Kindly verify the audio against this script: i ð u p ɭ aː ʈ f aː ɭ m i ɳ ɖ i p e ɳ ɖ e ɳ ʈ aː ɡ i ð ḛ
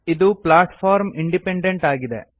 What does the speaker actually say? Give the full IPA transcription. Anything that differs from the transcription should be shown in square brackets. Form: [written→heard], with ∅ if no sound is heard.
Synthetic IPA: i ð u p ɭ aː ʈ f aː [ɭ→ɾ] m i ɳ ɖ i p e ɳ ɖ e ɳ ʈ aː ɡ i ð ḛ